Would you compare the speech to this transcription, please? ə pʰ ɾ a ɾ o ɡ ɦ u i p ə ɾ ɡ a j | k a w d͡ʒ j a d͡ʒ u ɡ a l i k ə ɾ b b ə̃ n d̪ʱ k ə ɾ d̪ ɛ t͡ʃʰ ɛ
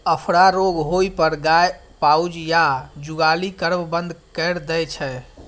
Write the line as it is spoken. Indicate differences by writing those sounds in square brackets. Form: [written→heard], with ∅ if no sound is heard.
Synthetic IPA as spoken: ə pʰ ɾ a ɾ o ɡ ɦ [u→o] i p ə ɾ ɡ a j | [k→p] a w d͡ʒ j a d͡ʒ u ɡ a l i k ə ɾ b b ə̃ n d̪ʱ k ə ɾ d̪ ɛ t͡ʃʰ ɛ